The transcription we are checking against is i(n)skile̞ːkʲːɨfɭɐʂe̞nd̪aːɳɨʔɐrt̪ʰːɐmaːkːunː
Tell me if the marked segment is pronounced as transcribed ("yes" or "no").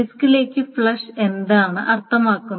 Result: no